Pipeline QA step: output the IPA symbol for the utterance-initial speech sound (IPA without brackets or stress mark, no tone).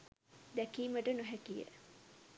d̪